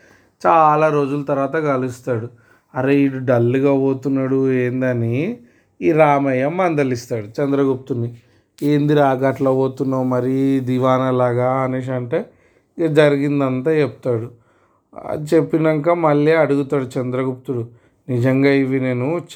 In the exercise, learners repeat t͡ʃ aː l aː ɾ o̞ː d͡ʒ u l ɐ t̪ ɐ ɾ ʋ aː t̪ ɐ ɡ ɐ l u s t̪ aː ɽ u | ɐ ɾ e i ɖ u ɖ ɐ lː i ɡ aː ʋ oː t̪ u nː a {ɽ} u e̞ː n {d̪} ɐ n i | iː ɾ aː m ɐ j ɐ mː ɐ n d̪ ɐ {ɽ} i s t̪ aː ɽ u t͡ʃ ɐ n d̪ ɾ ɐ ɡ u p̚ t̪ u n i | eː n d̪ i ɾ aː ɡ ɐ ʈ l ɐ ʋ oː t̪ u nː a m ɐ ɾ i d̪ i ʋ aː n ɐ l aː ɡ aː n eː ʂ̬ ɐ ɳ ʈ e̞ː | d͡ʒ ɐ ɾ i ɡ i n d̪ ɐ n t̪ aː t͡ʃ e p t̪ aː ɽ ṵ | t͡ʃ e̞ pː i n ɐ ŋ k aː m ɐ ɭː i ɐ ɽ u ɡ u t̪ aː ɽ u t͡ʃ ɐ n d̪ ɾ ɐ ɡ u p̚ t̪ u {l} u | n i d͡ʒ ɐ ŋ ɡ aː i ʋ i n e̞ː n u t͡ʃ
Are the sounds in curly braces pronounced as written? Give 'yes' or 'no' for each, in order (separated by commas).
yes, yes, no, no